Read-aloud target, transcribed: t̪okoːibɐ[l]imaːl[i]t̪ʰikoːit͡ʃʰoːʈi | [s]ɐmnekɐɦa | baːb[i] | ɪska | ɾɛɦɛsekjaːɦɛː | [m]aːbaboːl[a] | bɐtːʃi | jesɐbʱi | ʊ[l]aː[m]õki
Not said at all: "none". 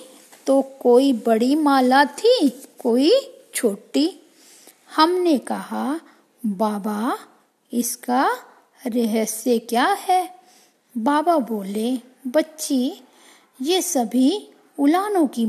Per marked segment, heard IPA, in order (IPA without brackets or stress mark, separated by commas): ɽ, a, h, a, b, e, l, n